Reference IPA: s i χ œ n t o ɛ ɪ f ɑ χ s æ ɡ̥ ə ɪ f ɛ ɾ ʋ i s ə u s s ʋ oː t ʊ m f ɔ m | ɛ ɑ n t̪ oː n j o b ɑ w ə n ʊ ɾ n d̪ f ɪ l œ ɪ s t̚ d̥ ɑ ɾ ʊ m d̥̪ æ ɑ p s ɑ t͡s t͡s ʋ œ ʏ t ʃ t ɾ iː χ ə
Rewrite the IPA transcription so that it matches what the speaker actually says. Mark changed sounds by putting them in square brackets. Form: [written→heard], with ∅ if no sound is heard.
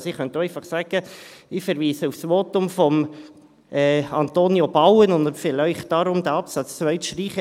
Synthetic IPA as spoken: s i χ œ n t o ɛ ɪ f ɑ χ s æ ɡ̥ ə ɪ f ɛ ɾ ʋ [i→iː] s ə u [s→f] s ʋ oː t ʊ m f ɔ m | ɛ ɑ n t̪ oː n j o b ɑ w ə n ʊ [ɾ→∅] n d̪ f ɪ l œ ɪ [s→χ] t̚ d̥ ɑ ɾ ʊ m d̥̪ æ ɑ p s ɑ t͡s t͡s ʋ œ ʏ t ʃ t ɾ iː χ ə

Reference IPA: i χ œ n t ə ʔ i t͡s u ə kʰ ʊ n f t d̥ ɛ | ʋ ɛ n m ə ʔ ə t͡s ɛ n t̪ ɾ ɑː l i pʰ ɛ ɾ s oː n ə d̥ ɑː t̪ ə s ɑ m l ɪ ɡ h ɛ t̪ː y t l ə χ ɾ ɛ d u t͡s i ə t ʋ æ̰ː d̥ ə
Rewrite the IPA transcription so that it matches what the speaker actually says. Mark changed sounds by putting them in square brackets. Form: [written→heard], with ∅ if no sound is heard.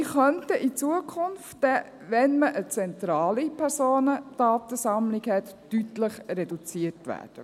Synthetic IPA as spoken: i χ œ n t ə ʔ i t͡s u ə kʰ ʊ n f t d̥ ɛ | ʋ ɛ n m ə ʔ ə t͡s ɛ n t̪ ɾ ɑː l i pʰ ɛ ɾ s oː n ə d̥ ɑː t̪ ə s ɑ m l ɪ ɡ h ɛ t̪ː y t l ə χ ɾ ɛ d u t͡s i ə t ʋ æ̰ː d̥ ə

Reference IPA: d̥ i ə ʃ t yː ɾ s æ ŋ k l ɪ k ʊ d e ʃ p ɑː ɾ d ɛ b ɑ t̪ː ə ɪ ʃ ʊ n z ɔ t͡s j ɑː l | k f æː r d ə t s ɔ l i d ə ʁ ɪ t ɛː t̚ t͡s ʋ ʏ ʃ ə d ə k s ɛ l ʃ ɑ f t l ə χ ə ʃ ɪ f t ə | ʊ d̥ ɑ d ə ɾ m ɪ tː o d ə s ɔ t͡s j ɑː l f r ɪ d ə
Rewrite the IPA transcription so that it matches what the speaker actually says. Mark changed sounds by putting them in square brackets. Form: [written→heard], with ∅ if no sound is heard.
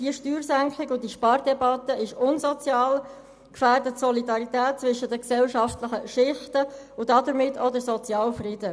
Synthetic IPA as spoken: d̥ i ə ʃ t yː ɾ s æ ŋ k l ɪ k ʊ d [e→i] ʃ p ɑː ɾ d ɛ b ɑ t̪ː ə ɪ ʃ ʊ n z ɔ t͡s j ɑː l | k f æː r d ə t s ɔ l i d [ə→ɑ] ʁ [ɪ→i] t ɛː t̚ t͡s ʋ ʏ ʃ ə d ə k s ɛ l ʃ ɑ f t l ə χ ə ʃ ɪ [f→χ] t ə | ʊ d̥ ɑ d ə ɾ m ɪ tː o d ə s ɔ t͡s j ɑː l f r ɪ d ə

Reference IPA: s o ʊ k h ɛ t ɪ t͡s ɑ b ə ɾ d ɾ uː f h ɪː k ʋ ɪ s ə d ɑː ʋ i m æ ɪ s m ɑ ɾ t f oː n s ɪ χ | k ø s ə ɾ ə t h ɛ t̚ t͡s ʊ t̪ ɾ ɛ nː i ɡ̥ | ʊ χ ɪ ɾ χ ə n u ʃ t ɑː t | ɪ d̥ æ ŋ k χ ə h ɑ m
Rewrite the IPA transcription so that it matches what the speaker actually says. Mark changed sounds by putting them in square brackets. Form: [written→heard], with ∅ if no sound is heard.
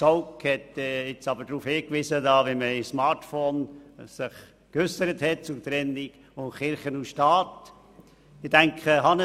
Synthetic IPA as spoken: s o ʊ k h ɛ t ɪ t͡s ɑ b ə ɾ d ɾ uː f h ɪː k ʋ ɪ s ə d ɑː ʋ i m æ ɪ s m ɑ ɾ t f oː n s ɪ χ | k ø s ə ɾ ə t h ɛ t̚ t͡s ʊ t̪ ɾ ɛ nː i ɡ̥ | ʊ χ ɪ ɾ χ ə n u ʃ t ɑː t | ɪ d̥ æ ŋ k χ ə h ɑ [m→n]

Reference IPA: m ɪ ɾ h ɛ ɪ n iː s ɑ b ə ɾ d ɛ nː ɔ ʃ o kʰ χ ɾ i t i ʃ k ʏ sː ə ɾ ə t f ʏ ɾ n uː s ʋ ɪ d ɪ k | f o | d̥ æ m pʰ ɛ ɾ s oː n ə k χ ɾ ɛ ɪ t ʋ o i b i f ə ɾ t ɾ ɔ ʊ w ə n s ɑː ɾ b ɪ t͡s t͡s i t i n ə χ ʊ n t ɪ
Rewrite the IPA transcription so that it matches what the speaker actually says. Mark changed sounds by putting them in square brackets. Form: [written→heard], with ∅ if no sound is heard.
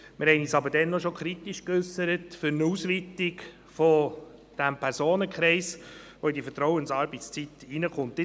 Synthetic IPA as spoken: m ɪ ɾ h ɛ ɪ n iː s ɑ b ə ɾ d ɛ nː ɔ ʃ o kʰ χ ɾ i t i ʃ k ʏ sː ə ɾ ə t f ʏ ɾ n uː s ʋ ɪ [d→t] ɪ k | f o | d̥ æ m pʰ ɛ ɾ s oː n ə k χ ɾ ɛ ɪ [t→s] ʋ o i [b→d] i f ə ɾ t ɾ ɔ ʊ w ə n s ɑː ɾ b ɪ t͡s t͡s i t i n ə χ ʊ n t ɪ

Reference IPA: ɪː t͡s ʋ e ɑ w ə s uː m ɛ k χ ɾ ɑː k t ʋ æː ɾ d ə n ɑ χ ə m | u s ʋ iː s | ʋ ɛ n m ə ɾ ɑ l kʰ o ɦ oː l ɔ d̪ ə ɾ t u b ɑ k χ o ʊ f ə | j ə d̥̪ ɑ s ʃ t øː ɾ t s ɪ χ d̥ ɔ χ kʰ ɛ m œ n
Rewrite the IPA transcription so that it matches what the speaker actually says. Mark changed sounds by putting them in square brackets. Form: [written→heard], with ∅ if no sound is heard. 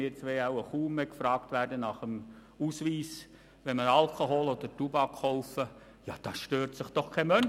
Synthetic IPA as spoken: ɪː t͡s ʋ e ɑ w ə [s→χ] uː m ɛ k [χ→f] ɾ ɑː k t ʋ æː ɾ d ə n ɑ χ ə m | u s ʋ iː s | ʋ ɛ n m ə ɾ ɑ l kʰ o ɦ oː l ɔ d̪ ə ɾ t u b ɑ k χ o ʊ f ə | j [ə→ɑ] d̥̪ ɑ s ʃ t øː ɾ t s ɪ χ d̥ ɔ χ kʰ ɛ m œ n

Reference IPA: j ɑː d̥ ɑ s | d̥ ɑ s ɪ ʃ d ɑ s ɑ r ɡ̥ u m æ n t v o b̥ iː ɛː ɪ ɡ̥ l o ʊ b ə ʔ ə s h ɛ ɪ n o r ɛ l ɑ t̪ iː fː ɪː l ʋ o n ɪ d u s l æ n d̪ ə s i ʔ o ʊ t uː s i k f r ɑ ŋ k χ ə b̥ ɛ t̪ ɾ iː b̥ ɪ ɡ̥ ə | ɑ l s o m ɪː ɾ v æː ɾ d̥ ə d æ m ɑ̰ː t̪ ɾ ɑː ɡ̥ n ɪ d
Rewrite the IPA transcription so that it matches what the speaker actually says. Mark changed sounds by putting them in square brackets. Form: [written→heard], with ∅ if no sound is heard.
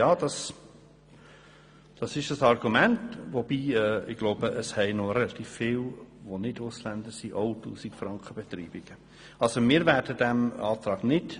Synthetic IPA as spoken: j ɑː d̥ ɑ s | d̥ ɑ s ɪ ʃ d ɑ s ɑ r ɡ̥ u m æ n t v o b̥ iː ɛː ɪ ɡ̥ l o ʊ b ə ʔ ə s h ɛ ɪ n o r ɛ l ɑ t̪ iː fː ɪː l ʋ o n ɪ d [u→ʊ] s l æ n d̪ ə s i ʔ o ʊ t uː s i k f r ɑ ŋ k χ ə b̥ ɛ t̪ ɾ iː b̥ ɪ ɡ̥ ə | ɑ l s o m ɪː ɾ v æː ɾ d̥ ə d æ m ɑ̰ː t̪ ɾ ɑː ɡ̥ n ɪ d

